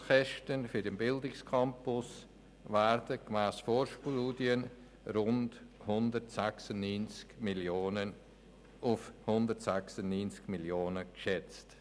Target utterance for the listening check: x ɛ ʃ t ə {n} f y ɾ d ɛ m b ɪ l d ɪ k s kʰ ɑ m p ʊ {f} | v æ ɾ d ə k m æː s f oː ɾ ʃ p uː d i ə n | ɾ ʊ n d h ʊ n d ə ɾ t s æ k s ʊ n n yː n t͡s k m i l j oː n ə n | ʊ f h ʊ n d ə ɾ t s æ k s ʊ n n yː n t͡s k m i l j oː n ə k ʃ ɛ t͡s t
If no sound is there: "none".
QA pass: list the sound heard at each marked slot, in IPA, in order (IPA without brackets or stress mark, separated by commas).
n, s